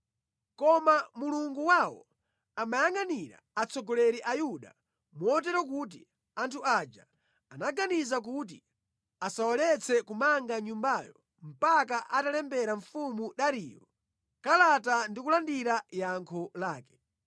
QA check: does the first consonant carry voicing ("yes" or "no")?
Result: no